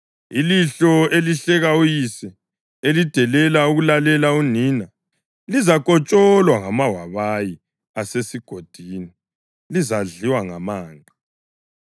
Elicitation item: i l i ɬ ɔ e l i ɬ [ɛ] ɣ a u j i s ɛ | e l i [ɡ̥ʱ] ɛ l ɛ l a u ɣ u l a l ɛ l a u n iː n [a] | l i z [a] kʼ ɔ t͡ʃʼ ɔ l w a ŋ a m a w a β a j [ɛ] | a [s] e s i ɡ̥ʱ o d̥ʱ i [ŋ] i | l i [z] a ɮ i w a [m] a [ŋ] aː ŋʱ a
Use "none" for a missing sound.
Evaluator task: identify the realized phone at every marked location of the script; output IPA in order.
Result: ɛ, d̥ʱ, a, a, i, s, n, z, ŋ, m

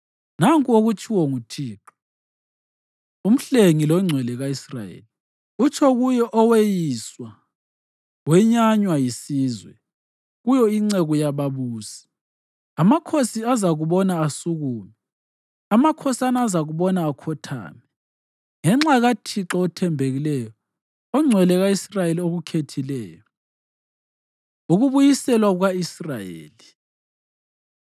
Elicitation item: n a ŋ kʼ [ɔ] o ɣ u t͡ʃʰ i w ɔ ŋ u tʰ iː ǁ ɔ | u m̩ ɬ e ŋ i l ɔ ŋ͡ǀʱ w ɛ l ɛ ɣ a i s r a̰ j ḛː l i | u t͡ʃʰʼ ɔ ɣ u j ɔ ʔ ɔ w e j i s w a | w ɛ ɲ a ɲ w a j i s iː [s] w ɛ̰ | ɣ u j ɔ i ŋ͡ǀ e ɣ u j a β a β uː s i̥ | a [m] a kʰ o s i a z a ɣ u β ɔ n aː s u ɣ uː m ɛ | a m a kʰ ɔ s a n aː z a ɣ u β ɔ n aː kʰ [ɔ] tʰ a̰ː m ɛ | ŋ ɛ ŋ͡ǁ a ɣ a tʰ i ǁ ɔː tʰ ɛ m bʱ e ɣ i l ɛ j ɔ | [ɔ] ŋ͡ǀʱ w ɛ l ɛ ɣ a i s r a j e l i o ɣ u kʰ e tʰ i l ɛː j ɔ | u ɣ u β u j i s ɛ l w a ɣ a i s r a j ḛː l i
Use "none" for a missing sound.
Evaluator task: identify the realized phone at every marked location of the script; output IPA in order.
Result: u, z, m, ɔ, ɔ

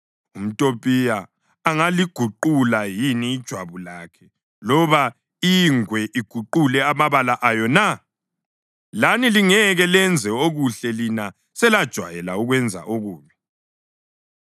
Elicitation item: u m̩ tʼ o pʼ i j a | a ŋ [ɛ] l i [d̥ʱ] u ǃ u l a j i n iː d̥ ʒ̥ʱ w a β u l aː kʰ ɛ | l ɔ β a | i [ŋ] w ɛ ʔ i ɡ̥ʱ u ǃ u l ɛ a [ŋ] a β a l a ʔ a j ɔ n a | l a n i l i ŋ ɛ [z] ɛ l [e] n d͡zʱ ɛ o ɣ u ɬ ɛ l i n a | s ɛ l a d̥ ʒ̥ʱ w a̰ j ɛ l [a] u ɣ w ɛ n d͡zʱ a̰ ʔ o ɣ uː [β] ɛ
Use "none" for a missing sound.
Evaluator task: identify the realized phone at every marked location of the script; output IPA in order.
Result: a, ɡ̥ʱ, ŋ, m, ɣ, ɛ, a, β

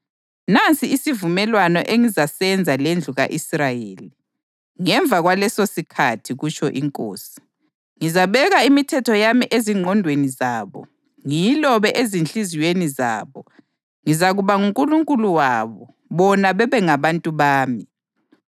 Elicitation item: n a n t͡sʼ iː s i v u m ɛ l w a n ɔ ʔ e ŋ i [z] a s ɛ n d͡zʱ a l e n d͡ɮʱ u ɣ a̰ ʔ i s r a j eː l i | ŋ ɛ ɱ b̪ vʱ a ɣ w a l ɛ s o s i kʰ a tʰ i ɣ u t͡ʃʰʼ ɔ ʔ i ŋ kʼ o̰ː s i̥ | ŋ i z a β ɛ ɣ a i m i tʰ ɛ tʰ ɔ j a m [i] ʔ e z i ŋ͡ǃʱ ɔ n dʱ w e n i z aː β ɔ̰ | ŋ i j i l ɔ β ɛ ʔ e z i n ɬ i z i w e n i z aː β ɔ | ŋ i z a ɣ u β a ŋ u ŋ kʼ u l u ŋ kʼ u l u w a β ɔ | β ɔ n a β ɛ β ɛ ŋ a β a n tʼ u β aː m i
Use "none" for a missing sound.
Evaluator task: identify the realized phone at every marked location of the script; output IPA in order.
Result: z, i

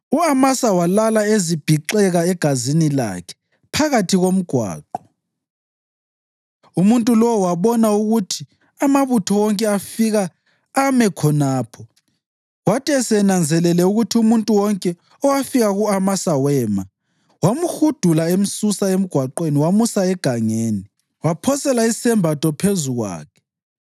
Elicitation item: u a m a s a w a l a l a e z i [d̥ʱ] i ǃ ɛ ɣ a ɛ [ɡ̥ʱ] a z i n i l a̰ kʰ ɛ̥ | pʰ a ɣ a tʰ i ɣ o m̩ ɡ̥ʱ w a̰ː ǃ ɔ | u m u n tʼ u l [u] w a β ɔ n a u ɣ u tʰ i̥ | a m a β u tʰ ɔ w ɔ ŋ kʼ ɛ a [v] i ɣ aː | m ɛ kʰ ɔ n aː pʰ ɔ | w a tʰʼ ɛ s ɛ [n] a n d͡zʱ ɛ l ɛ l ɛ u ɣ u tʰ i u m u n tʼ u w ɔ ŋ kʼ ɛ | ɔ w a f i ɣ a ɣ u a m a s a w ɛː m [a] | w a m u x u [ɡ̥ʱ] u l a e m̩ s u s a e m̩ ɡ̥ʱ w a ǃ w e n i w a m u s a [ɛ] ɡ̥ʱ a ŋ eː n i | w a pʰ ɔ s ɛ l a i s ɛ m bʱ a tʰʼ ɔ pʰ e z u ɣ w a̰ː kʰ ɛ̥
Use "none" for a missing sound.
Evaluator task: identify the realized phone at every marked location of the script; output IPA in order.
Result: b̥ʱ, ɡ̥ʱ, ɔ, f, n, a, d̥ʱ, ɛ

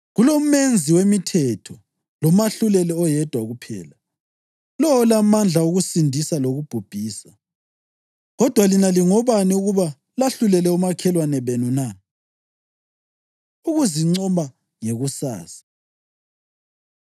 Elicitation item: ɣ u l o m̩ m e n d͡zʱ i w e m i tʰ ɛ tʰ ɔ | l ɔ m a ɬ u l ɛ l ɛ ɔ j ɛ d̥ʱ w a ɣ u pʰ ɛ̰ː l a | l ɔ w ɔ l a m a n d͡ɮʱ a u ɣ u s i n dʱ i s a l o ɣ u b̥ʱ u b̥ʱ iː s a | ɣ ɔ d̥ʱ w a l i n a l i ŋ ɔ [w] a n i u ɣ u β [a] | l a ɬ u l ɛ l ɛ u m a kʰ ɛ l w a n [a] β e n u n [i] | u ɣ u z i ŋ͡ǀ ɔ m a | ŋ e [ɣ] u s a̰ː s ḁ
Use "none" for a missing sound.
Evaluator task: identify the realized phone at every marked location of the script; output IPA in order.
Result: β, a, ɛ, a, ɣ

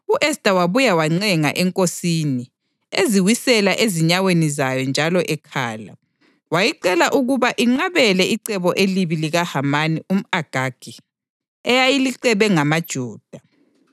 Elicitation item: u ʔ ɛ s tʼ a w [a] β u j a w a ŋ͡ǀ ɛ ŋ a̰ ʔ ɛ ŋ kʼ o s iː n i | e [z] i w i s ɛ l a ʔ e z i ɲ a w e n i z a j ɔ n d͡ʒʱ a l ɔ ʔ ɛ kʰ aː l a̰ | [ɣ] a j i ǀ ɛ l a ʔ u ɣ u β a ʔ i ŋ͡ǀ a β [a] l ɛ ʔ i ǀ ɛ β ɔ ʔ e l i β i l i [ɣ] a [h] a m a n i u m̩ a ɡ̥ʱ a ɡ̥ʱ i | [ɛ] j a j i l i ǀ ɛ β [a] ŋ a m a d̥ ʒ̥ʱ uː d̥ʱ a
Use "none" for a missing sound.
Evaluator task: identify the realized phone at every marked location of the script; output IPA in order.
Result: a, z, w, ɛ, ɣ, h, ɛ, ɛ

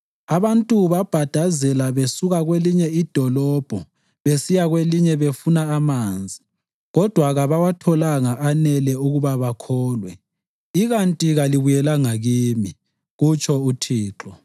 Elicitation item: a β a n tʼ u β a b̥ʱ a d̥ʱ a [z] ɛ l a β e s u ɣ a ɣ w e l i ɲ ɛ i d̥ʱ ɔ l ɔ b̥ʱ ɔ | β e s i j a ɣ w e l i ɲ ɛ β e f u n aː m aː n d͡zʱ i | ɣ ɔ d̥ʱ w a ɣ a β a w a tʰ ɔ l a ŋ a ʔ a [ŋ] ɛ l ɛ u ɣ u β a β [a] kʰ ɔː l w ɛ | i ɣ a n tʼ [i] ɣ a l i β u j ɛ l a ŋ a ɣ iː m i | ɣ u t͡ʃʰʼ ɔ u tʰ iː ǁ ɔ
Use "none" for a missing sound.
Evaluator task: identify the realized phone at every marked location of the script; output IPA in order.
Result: z, n, a, i

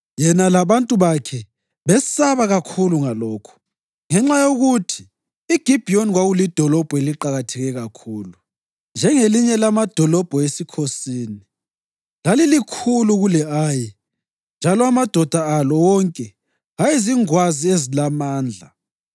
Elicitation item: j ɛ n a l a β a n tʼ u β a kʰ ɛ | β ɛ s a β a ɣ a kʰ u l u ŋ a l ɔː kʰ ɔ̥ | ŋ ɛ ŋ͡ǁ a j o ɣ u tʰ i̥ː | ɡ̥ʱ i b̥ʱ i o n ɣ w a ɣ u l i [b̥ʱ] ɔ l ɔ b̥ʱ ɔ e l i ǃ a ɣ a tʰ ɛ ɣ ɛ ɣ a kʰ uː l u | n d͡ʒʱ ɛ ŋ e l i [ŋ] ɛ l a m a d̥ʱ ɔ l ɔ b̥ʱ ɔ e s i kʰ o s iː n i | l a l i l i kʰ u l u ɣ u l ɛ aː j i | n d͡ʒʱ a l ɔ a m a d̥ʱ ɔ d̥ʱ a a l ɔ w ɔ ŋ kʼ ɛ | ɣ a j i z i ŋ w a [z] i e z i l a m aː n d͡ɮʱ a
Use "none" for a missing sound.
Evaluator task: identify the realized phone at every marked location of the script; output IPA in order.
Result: d̥ʱ, ɲ, z

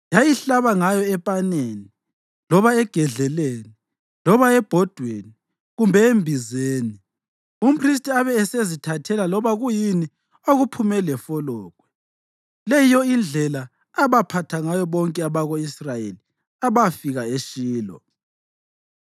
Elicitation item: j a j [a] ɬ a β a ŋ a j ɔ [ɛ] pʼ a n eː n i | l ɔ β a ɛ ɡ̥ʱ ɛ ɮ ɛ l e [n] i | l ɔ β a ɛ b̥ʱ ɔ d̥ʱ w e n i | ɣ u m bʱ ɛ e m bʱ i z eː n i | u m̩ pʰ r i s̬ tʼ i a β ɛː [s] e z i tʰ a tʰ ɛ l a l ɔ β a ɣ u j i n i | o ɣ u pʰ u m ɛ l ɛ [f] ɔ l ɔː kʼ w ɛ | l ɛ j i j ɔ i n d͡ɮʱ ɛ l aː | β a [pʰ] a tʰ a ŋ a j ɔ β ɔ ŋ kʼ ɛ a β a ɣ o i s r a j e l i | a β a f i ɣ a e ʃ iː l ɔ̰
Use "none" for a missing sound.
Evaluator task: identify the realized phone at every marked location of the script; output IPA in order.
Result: i, ɛ, n, s, f, pʰ

